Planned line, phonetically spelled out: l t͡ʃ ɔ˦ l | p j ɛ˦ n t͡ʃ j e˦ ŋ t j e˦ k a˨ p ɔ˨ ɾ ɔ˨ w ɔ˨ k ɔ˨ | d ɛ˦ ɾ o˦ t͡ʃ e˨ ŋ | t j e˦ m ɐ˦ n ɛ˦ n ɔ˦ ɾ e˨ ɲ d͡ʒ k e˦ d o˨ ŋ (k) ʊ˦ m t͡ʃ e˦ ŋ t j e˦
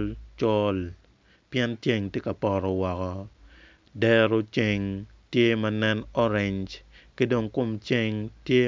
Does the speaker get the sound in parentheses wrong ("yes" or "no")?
no